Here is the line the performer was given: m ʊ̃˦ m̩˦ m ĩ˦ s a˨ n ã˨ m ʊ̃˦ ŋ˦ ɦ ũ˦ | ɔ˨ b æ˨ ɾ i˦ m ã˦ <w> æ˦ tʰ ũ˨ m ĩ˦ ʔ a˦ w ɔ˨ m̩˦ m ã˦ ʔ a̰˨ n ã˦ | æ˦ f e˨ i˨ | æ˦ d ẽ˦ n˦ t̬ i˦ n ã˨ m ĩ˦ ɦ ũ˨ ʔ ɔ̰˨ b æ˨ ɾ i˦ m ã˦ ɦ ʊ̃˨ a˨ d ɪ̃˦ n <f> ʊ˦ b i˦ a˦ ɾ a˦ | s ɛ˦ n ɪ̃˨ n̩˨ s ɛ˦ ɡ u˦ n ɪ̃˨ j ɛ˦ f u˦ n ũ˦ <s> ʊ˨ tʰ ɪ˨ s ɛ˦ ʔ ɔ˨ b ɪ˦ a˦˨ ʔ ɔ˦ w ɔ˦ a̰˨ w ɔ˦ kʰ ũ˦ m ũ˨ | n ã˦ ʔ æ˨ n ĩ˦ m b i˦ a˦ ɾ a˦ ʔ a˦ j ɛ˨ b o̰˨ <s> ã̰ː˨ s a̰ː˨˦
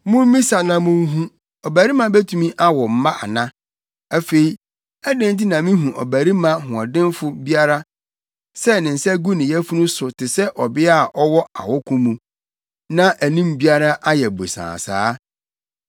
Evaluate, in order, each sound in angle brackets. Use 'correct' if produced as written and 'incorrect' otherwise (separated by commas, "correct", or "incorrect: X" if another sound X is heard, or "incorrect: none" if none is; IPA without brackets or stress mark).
incorrect: b, correct, correct, correct